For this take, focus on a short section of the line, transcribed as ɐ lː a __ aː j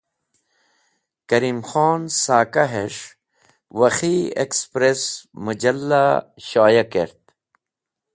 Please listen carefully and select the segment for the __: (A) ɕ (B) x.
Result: A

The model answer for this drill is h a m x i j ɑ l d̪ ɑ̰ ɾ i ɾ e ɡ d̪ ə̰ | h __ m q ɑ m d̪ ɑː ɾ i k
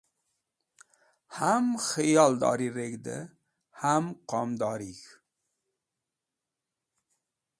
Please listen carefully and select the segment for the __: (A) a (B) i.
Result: A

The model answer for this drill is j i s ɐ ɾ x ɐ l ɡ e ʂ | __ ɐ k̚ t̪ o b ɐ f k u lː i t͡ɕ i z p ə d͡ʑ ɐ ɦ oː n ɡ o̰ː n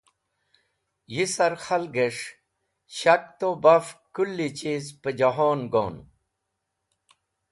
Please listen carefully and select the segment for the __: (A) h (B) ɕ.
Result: B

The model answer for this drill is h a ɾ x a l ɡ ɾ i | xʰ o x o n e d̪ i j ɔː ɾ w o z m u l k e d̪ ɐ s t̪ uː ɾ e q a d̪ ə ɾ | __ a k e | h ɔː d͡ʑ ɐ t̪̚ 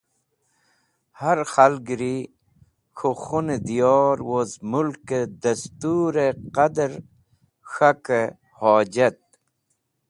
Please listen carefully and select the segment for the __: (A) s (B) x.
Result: B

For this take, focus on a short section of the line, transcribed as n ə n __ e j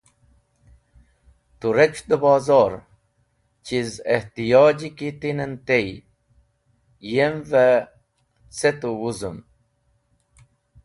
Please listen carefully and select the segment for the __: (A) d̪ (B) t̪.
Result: B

